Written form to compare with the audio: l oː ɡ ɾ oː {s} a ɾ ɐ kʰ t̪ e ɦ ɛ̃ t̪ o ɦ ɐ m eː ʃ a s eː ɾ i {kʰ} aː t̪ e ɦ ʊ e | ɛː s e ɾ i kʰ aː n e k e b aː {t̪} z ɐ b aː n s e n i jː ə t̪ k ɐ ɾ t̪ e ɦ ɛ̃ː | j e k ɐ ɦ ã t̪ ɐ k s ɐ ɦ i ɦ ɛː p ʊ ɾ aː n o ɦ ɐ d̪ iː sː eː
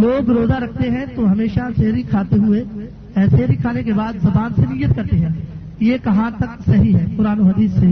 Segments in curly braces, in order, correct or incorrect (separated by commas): incorrect, correct, incorrect